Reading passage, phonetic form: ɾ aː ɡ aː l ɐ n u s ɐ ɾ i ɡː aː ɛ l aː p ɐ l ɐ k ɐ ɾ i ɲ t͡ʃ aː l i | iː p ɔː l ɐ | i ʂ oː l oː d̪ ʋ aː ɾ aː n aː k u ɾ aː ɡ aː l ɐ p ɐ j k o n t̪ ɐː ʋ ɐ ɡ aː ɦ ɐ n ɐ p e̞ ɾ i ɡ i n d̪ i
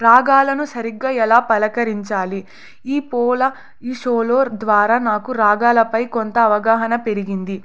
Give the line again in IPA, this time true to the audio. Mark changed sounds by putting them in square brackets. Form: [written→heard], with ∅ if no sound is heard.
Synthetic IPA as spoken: ɾ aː ɡ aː l ɐ n u s ɐ ɾ i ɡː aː ɛ l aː p ɐ l ɐ k ɐ ɾ i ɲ t͡ʃ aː l i | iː p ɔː l ɐ | i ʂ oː l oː d̪ ʋ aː ɾ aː n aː k u ɾ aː ɡ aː l ɐ p ɐ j k o n t̪ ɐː ʋ ɐ ɡ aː ɦ ɐ n ɐ p e̞ ɾ i ɡ i n d̪ i